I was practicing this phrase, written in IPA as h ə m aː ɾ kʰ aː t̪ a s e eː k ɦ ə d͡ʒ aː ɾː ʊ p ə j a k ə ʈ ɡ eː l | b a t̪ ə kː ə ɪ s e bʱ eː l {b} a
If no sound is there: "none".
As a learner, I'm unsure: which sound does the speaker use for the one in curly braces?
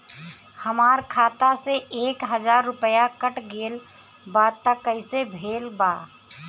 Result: b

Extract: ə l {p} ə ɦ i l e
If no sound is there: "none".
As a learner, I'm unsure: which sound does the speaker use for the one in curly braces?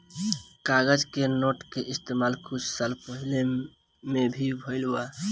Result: p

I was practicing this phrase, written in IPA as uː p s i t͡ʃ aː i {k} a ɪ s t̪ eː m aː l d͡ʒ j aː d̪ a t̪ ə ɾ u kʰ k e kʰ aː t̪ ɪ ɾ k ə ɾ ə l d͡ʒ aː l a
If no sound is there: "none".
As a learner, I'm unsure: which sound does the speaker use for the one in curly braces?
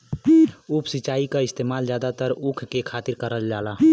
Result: k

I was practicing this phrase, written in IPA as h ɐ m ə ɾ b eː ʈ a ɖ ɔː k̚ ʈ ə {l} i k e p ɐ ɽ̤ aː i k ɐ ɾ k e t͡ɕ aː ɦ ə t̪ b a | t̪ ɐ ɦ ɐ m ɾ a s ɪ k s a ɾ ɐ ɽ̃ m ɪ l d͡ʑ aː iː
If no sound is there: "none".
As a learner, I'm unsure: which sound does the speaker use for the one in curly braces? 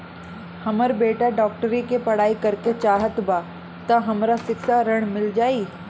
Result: ɾ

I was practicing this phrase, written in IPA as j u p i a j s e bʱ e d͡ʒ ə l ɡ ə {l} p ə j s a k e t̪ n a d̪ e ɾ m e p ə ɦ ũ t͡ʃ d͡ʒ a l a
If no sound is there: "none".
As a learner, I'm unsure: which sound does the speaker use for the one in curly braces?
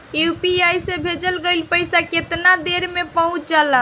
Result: l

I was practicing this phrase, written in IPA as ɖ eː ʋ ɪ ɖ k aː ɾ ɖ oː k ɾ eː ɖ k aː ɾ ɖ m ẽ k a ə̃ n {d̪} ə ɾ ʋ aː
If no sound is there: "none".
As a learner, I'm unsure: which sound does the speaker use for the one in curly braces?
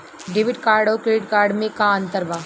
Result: t̪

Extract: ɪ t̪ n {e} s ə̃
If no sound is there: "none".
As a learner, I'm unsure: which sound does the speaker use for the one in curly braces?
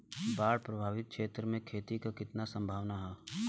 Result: a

